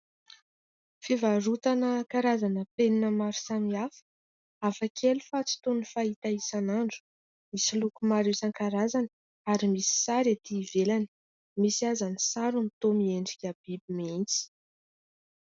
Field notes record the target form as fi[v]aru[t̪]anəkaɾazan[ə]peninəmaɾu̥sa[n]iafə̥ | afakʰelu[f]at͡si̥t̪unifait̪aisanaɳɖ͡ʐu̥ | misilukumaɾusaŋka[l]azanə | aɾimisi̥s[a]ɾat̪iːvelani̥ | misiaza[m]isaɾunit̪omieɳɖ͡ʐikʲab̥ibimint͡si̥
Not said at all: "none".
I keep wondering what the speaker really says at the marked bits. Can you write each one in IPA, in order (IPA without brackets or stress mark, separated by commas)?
v, t̪, ə, m, f, ɾ, a, n